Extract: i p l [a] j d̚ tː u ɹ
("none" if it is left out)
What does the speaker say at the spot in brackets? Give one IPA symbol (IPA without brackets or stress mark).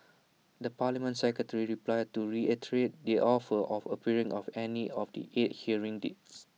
a